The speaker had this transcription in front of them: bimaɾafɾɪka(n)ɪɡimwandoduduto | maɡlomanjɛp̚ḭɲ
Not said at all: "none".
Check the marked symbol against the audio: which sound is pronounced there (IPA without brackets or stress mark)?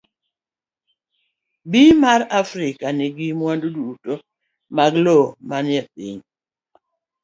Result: n